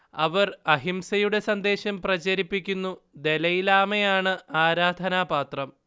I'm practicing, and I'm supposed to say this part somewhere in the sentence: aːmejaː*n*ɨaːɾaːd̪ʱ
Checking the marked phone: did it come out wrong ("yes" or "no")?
yes